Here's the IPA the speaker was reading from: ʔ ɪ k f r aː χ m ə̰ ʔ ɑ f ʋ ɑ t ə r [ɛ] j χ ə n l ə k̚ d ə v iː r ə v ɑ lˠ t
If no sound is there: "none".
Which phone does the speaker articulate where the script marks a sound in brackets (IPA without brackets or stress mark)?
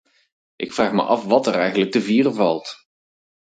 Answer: ɛ